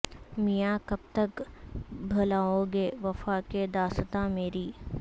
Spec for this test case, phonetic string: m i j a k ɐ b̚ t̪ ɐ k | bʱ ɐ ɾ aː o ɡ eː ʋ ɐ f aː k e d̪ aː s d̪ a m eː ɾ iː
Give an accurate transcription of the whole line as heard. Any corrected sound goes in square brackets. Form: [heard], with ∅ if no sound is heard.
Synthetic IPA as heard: m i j a k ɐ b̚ t̪ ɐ k | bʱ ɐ [l] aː o ɡ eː ʋ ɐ f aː k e d̪ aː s [t̪] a m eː ɾ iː

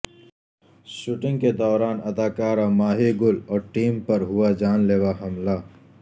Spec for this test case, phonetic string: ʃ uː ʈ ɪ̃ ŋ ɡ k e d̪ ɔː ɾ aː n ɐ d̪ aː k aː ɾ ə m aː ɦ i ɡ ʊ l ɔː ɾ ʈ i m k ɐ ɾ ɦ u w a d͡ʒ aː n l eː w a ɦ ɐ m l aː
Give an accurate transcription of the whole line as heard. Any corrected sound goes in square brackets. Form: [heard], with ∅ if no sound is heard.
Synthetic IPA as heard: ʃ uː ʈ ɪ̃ ŋ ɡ k e d̪ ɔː ɾ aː n ɐ d̪ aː k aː ɾ [a] m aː ɦ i ɡ ʊ l ɔː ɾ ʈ [iː] m [p] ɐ ɾ ɦ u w a d͡ʒ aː n l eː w a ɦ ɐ m l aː

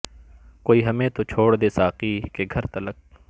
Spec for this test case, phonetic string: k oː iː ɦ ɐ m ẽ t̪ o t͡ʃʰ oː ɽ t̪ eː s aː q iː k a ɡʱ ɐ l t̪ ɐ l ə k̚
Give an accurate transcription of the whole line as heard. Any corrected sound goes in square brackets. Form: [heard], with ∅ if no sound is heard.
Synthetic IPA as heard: k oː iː ɦ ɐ m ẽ t̪ o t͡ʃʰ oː ɽ [d̪] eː s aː q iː k [e] ɡʱ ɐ [ɾ] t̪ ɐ l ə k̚

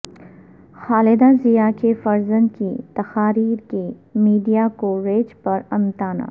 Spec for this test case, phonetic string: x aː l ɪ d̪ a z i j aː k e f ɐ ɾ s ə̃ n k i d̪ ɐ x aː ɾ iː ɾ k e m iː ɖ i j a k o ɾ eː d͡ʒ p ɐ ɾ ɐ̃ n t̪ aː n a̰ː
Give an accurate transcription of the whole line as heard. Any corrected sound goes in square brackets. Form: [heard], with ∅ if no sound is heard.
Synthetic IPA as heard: x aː l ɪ d̪ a z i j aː k e f ɐ ɾ [z] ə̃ n k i [t̪] ɐ x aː ɾ iː ɾ k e m iː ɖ i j a k o ɾ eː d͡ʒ p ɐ ɾ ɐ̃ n t̪ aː n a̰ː

